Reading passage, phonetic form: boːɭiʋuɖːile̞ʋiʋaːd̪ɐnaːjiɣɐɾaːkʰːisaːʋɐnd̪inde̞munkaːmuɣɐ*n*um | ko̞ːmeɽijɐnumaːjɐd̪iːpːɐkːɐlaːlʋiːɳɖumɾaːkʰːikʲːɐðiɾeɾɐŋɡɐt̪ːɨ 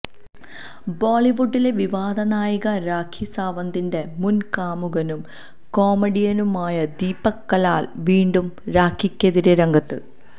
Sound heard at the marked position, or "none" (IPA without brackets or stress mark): n